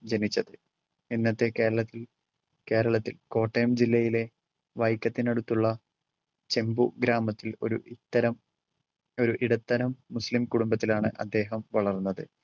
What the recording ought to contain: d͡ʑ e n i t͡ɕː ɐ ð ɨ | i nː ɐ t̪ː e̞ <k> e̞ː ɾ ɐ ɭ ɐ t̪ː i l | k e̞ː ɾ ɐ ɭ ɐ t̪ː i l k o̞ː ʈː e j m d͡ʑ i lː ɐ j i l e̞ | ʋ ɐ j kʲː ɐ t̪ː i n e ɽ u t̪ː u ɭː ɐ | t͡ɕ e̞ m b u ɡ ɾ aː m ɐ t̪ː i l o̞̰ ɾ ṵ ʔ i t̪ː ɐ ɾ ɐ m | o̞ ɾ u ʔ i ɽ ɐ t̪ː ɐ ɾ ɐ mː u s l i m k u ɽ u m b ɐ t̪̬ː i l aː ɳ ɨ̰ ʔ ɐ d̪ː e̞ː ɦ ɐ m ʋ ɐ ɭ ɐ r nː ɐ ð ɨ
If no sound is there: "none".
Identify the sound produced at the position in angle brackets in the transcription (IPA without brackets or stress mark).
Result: k